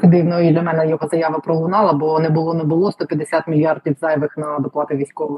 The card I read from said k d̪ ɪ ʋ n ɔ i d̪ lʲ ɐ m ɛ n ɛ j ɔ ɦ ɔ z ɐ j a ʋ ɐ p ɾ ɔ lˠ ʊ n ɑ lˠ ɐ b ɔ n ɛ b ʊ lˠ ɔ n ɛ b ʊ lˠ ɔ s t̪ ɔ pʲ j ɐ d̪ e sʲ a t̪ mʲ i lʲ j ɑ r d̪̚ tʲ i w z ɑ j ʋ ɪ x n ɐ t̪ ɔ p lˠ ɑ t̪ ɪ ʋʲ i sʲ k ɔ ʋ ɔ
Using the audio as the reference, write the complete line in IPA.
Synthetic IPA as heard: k d̪ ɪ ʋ n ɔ i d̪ lʲ ɐ m ɛ n ɛ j ɔ ɦ ɔ z ɐ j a ʋ ɐ p ɾ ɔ lˠ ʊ n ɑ lˠ ɐ b ɔ n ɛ b ʊ lˠ ɔ n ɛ b ʊ lˠ ɔ s t̪ ɔ pʲ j ɐ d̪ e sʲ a t̪ mʲ i lʲ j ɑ r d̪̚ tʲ i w z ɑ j ʋ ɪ x n ɐ d̪ ɔ p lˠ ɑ t̪ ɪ ʋʲ i sʲ k ɔ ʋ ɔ